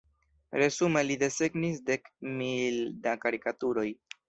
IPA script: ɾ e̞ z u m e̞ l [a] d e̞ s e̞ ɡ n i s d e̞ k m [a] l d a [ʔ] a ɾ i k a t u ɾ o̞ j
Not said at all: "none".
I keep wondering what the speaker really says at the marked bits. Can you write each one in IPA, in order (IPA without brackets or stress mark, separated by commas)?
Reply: i, i, k